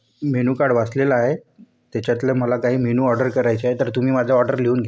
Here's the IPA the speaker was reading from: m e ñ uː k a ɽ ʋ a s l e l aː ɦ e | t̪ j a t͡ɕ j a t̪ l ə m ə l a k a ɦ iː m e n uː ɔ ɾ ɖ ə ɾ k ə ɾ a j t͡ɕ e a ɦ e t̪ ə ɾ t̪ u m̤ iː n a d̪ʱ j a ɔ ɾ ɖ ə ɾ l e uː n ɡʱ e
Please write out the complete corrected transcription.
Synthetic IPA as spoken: m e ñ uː k a ɽ ʋ a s l e l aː ɦ e | t̪ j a t͡ɕ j a t̪ l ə m ə l a k a ɦ iː m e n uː ɔ ɾ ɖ ə ɾ k ə ɾ a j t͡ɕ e a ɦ e t̪ ə ɾ t̪ u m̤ iː m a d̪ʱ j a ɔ ɾ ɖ ə ɾ l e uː n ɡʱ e